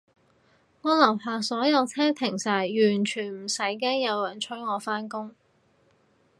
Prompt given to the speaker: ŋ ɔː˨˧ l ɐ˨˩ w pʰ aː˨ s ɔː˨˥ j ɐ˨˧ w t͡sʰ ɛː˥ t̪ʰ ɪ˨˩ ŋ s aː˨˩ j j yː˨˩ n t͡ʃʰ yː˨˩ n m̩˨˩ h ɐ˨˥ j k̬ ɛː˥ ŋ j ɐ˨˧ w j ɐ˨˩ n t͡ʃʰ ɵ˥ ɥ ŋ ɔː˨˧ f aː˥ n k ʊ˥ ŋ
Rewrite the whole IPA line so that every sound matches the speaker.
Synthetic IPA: ŋ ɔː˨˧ l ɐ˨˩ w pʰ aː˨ s ɔː˨˥ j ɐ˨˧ w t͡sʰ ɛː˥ t̪ʰ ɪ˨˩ ŋ s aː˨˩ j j yː˨˩ n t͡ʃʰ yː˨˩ n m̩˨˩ s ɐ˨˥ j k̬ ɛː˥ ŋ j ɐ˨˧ w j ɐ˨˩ n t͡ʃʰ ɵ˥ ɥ ŋ ɔː˨˧ f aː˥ n k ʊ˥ ŋ